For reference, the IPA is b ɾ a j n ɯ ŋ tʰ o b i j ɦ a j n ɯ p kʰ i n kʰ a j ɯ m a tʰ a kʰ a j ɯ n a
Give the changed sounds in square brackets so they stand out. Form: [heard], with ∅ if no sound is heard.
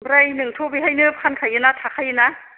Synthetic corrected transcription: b ɾ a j n ɯ ŋ tʰ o b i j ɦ a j n ɯ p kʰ [a] n kʰ a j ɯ [n] a tʰ a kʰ a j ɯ n a